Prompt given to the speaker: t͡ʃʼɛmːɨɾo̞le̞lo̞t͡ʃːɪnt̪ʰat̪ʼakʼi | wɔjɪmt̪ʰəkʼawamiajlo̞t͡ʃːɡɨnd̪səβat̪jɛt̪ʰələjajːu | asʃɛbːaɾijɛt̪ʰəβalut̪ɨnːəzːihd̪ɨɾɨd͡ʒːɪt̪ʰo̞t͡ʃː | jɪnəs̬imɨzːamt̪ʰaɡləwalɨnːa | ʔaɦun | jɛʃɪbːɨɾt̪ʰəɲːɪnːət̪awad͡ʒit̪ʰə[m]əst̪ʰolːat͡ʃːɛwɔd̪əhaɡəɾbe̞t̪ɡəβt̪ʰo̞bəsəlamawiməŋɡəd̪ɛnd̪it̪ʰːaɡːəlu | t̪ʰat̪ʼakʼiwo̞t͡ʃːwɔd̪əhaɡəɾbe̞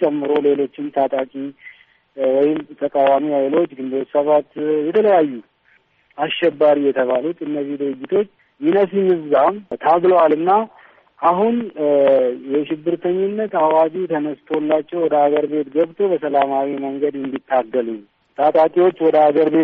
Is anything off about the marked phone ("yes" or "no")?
yes